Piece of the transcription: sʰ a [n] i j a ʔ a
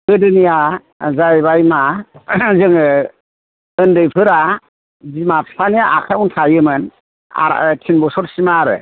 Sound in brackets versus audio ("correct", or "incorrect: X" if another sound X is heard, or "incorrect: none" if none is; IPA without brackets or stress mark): correct